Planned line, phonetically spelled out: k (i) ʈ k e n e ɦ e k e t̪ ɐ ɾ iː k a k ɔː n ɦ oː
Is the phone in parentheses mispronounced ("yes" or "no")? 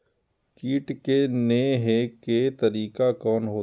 yes